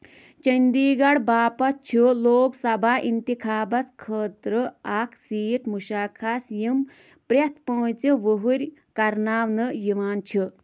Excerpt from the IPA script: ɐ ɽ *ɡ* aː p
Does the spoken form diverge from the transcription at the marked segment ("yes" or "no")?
yes